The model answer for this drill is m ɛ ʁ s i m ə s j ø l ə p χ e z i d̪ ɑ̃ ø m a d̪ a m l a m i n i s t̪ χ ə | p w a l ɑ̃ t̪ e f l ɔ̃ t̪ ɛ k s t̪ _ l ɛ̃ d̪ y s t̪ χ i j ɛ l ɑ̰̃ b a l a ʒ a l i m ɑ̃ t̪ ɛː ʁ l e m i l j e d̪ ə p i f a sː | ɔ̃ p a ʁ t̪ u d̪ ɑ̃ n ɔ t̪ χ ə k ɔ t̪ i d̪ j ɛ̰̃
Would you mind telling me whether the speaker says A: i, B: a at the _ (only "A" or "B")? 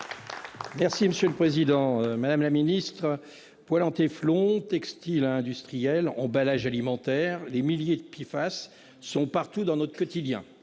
A